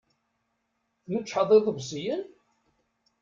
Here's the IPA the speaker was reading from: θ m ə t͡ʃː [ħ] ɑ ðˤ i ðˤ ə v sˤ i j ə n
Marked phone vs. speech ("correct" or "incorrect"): correct